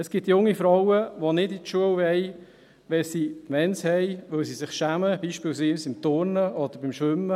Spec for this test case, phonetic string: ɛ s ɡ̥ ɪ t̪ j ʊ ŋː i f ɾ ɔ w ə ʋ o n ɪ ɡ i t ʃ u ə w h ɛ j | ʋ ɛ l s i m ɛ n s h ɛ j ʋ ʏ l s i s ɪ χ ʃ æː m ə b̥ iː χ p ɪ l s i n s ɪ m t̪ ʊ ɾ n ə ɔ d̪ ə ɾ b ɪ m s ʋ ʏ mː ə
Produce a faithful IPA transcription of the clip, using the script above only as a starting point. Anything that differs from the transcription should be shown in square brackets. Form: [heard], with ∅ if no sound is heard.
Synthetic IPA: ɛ s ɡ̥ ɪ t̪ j ʊ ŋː i f ɾ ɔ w ə ʋ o n ɪ [d] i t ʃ u ə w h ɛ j | ʋ ɛ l s i m ɛ n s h ɛ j ʋ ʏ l s i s ɪ χ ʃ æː m ə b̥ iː [ʃ] p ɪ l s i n s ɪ m t̪ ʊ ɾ n ə ɔ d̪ ə ɾ b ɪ m [ʃ] ʋ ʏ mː ə